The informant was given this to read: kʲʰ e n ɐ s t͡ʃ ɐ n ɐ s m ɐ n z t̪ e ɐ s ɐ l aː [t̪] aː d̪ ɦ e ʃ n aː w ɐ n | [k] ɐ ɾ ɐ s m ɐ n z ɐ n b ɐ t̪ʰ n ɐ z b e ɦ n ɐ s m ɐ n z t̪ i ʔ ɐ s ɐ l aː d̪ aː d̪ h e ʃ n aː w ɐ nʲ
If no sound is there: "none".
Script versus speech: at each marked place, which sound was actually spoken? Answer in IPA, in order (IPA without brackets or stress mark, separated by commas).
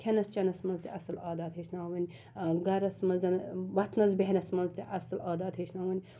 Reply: d̪, ɡ